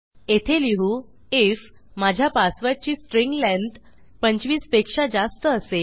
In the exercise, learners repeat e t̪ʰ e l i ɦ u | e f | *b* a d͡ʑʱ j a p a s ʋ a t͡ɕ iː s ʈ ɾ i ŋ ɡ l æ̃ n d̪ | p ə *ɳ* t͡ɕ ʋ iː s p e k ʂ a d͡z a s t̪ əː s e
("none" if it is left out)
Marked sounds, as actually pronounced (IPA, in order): m, ɲ

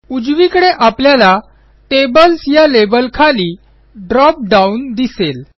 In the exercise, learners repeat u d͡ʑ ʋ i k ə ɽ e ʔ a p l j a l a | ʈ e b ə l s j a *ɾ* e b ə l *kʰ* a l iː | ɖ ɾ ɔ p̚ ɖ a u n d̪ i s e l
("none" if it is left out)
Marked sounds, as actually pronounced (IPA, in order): l, kʰ

